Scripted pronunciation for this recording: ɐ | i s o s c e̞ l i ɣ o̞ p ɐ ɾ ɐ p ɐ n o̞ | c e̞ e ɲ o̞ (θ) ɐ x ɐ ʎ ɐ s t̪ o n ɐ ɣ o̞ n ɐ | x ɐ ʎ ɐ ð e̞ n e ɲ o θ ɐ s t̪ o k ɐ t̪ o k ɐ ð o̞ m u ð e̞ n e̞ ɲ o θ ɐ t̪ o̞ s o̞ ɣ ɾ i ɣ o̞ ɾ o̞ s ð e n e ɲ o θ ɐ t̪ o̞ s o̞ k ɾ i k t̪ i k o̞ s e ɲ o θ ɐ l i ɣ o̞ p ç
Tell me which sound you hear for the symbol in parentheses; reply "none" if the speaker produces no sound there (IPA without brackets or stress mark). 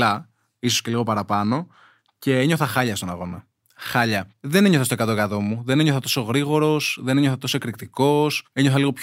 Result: θ